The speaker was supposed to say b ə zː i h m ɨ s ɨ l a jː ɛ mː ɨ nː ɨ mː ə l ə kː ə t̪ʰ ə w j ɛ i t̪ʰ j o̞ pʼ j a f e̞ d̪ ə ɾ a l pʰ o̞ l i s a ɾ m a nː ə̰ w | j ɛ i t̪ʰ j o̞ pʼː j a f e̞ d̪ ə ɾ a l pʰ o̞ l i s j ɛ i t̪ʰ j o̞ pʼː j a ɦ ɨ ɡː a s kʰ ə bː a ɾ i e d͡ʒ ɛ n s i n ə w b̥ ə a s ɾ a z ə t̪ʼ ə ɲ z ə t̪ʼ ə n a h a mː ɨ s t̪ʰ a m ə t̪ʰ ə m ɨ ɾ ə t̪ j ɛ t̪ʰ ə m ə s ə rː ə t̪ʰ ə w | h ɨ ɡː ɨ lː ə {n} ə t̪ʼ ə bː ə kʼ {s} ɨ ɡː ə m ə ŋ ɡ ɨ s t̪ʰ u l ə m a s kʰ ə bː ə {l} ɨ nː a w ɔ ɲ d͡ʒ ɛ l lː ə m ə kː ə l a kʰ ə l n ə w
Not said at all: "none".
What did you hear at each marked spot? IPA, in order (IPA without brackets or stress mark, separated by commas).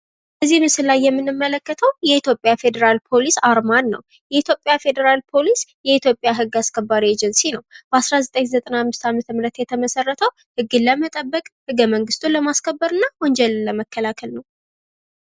m, h, ɾ